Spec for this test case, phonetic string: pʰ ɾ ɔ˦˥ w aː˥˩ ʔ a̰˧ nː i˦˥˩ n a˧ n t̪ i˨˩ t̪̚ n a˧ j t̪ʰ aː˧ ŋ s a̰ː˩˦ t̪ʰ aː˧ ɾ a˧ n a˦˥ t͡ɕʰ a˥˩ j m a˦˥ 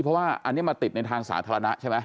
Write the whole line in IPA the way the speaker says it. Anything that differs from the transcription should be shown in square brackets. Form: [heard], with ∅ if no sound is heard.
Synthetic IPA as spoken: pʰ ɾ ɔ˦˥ w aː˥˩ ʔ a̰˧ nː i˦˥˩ [m] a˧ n t̪ i˨˩ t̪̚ n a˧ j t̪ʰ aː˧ ŋ s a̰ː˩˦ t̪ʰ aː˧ ɾ a˧ n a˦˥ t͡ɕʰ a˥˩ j m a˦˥